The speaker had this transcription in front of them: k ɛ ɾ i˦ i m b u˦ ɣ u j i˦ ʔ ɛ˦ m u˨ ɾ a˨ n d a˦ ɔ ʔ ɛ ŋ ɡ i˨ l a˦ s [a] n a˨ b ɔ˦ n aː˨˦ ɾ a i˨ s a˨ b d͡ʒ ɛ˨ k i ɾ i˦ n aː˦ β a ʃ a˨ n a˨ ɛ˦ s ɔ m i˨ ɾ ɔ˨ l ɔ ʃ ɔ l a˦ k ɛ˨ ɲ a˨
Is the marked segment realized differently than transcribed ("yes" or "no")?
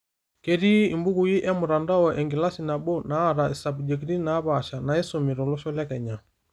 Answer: yes